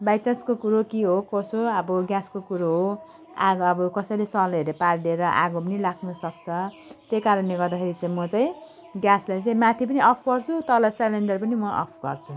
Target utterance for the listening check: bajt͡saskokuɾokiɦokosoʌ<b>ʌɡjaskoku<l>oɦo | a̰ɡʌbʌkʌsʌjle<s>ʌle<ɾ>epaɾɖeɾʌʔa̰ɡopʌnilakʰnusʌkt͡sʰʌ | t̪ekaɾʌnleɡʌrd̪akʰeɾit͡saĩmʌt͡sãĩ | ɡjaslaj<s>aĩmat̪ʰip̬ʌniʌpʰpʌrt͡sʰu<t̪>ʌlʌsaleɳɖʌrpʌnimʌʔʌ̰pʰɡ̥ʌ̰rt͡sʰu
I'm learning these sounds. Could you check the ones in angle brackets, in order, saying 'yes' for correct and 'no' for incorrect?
yes, no, yes, yes, no, yes

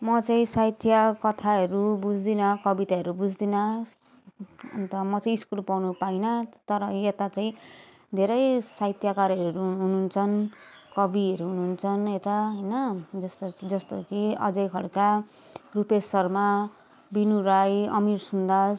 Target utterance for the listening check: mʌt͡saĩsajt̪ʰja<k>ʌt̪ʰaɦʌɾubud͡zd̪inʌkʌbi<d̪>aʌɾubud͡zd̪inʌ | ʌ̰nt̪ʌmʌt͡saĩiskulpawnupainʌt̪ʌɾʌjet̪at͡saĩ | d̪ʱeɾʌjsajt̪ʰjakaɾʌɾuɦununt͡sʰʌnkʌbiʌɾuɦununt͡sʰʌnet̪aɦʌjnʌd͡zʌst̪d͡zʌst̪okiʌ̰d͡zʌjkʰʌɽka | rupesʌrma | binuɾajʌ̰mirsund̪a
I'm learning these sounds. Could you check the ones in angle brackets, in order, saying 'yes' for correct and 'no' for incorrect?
yes, no

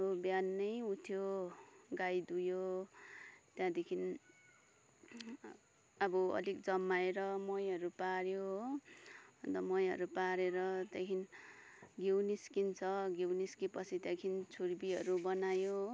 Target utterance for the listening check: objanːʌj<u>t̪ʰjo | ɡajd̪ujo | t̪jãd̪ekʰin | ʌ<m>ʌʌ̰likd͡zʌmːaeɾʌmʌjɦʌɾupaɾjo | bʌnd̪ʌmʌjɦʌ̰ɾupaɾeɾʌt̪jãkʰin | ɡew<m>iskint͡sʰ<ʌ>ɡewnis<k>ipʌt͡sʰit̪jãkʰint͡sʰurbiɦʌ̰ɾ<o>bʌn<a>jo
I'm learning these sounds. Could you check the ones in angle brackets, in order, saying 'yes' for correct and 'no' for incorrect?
yes, no, no, yes, yes, no, yes

